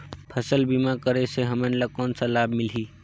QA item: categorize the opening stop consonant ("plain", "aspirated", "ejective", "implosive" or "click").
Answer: aspirated